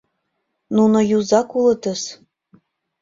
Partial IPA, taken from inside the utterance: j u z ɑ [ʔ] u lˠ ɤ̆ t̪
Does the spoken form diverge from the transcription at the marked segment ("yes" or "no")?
yes